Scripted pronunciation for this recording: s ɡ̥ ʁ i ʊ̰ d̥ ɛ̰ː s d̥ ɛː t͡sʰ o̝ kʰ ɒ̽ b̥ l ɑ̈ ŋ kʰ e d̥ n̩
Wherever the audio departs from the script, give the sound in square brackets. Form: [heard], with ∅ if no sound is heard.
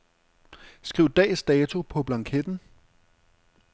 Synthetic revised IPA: s ɡ̥ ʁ i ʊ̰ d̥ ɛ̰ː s d̥ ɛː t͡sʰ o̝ [pʰ] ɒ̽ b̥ l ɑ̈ ŋ kʰ e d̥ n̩